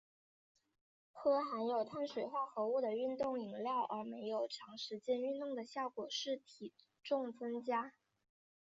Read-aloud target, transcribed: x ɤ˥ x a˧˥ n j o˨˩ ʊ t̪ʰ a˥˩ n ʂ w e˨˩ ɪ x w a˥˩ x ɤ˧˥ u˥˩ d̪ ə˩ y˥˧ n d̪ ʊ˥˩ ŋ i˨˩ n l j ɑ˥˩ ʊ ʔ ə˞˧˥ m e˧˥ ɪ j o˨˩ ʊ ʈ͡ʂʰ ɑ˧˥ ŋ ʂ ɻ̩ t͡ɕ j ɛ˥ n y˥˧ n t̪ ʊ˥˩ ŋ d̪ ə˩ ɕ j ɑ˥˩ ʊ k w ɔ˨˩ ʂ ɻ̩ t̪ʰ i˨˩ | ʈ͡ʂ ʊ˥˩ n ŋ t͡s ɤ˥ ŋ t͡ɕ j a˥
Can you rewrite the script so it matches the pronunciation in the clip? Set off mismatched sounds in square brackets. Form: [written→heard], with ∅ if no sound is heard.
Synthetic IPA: x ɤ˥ x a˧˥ n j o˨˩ ʊ t̪ʰ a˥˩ n ʂ w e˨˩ ɪ x w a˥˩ x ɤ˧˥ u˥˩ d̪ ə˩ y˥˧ n [d̪→t̪] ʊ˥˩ ŋ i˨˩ [n→ŋ] l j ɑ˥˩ ʊ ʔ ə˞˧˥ m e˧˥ ɪ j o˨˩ ʊ ʈ͡ʂʰ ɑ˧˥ ŋ ʂ ɻ̩ t͡ɕ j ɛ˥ n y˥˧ n t̪ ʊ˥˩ ŋ d̪ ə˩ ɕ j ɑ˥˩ ʊ k w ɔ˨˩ ʂ ɻ̩ t̪ʰ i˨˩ | ʈ͡ʂ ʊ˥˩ [n→∅] ŋ t͡s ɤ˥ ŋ t͡ɕ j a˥